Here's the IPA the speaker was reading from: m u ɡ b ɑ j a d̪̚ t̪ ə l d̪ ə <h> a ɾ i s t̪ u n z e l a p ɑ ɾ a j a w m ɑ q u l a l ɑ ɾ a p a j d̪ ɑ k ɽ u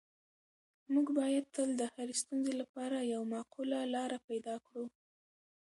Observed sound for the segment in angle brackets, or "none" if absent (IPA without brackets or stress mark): h